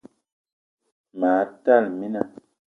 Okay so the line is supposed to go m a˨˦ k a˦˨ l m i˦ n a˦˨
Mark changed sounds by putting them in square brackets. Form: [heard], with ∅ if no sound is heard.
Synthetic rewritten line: m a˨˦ [t] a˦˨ l m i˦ n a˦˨